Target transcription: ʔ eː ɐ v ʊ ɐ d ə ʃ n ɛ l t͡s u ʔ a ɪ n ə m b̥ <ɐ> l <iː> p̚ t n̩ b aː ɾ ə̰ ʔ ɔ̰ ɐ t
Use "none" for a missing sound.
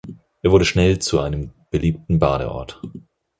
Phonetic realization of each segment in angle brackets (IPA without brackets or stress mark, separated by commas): ə, iː